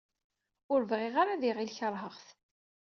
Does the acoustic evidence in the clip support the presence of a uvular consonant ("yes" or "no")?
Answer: yes